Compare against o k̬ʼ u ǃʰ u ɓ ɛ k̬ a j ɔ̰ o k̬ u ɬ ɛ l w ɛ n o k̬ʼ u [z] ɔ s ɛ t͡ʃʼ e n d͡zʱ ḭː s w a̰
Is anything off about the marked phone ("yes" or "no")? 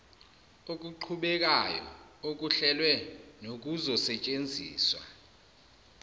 no